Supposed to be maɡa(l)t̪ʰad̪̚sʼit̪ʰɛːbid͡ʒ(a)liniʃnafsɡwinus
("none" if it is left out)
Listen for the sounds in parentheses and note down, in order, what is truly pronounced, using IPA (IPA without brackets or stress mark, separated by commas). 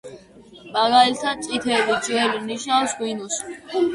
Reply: l, ɛ